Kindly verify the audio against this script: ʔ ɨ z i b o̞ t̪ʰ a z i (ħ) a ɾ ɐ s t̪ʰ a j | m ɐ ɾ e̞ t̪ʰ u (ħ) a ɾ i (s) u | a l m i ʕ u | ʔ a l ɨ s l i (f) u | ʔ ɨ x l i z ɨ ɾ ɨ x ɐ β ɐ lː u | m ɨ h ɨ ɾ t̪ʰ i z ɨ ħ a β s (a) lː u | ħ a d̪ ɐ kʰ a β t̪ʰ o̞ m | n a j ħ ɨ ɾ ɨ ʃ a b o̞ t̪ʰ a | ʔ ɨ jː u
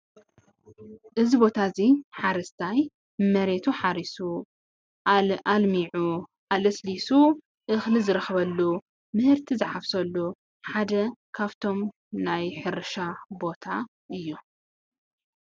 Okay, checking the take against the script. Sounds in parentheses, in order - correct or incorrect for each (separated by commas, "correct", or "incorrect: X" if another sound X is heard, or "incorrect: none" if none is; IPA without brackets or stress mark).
correct, correct, correct, incorrect: s, incorrect: ɐ